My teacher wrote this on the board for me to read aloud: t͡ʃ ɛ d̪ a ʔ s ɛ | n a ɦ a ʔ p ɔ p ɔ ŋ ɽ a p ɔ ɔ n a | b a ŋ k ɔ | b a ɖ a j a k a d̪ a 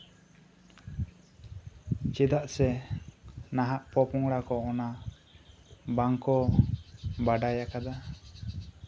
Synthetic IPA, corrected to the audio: t͡ʃ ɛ d̪ a ʔ s ɛ | n a ɦ a ʔ p ɔ p ɔ ŋ ɽ a k ɔ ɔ n a | b a ŋ k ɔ | b a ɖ a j a k a d̪ a